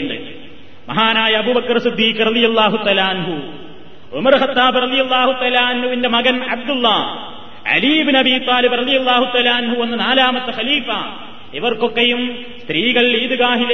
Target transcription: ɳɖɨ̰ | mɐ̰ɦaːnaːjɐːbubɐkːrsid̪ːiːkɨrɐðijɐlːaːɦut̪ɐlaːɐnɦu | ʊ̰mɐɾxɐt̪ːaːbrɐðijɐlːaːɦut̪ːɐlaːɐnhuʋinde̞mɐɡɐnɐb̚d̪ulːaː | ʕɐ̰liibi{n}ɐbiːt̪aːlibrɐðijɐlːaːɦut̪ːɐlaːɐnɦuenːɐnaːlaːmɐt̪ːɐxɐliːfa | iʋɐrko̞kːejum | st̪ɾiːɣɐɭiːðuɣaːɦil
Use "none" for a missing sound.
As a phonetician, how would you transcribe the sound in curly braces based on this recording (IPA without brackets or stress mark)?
n